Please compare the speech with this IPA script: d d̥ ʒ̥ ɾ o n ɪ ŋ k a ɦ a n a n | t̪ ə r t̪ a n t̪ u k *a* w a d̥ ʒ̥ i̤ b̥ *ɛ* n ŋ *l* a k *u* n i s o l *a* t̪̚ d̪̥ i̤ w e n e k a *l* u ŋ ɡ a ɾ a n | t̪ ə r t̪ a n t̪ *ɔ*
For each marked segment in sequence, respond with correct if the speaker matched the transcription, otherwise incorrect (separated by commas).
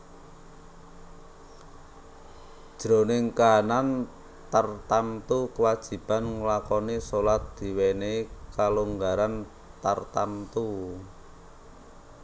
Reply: incorrect, incorrect, correct, incorrect, correct, correct, incorrect